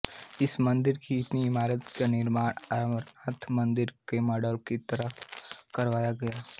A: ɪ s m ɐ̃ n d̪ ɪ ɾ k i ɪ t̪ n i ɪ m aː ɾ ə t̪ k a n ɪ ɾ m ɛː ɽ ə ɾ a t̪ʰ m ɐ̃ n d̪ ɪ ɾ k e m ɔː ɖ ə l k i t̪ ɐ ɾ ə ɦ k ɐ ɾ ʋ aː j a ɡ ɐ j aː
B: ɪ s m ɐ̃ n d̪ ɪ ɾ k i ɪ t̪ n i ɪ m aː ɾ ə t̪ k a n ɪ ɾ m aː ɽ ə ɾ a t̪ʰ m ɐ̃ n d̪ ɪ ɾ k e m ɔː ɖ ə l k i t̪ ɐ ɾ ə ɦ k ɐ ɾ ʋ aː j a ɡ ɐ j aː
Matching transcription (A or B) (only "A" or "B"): B